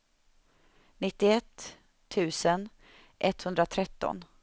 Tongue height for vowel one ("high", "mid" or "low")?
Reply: high